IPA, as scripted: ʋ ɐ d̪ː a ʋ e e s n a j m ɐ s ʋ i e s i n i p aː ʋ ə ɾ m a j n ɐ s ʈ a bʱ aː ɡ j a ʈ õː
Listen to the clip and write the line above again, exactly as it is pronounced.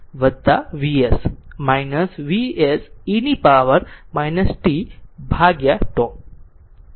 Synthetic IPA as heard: ʋ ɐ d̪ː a ʋ i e s m a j n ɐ s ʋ i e s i n i p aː ʋ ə ɾ m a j n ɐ s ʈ i bʱ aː ɡ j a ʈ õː